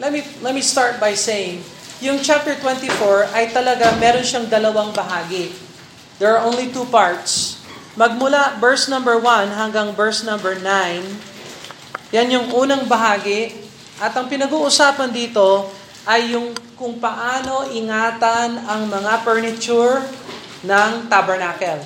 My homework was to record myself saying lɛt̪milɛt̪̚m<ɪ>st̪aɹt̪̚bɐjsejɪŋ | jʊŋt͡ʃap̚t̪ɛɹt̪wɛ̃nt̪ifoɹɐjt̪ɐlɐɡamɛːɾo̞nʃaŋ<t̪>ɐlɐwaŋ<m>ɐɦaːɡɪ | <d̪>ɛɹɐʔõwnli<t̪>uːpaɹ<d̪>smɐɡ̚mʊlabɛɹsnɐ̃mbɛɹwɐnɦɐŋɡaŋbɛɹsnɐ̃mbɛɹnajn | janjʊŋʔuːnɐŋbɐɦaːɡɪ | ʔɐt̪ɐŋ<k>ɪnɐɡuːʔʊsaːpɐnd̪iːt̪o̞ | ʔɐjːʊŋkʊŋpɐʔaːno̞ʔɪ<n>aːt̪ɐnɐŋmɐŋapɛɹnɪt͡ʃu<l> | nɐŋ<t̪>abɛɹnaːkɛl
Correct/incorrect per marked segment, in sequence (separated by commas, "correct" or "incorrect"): incorrect, incorrect, incorrect, correct, correct, incorrect, incorrect, incorrect, incorrect, correct